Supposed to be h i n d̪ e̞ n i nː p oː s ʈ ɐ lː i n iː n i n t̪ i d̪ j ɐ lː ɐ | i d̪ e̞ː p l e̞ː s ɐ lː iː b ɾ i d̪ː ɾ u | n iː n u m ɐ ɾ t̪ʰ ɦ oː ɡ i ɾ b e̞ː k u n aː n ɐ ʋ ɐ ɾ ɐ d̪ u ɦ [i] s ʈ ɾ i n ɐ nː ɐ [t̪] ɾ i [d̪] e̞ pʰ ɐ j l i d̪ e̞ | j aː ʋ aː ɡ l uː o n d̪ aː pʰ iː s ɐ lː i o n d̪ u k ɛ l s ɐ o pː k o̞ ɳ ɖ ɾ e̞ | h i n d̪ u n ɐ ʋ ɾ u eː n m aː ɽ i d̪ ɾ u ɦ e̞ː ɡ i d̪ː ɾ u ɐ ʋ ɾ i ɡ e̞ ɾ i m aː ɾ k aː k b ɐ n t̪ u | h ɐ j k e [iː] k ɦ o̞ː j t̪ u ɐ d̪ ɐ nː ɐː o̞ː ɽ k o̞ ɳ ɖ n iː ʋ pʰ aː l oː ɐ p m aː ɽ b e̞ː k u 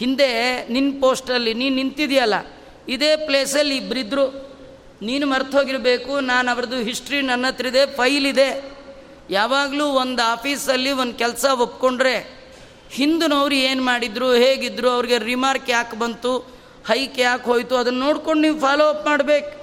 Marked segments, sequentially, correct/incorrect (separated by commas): correct, correct, correct, incorrect